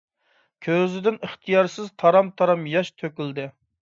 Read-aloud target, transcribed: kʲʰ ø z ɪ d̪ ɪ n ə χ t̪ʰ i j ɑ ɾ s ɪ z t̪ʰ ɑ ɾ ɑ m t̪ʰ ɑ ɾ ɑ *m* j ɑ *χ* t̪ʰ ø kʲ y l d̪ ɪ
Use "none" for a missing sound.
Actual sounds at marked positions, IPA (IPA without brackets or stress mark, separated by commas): m, ʃ